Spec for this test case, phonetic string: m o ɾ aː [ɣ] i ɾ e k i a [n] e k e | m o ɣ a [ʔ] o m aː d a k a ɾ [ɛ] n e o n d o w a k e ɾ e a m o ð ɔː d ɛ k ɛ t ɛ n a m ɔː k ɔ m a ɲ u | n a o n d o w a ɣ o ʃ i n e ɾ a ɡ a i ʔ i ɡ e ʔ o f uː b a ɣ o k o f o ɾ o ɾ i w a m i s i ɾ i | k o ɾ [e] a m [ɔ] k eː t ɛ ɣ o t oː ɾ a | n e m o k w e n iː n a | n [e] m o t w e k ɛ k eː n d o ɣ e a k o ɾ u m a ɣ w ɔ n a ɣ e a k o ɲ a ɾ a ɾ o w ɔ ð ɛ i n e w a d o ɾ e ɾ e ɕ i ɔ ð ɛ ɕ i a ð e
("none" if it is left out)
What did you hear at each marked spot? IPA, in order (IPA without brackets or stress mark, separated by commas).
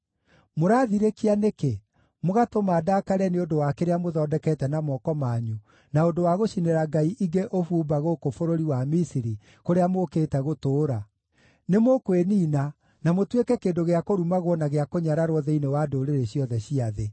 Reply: ð, n, t, ɛ, e, o, a